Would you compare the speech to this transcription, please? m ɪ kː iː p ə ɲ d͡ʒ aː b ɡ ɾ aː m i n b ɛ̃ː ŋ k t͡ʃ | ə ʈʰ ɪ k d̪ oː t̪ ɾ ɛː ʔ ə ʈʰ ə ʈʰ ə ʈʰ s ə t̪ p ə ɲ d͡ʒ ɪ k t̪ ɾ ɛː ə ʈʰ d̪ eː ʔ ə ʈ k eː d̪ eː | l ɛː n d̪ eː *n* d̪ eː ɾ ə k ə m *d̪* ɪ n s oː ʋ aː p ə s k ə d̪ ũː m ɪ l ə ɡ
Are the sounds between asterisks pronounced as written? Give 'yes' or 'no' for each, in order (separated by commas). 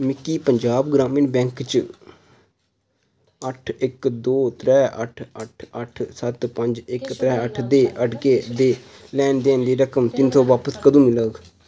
yes, no